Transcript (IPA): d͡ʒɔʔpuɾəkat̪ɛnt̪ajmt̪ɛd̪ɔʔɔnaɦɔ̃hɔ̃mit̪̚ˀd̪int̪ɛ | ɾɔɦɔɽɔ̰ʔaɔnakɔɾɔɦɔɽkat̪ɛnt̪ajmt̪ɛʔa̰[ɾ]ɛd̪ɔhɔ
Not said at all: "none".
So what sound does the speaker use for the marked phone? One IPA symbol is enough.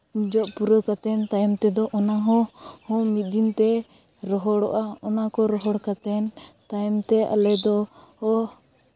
l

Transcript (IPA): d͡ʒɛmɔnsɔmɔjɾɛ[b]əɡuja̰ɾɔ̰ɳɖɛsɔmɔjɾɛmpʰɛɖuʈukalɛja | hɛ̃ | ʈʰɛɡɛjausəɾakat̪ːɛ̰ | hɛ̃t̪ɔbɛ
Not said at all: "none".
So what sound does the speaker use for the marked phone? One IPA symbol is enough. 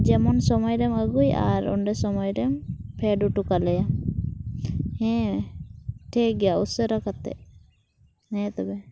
m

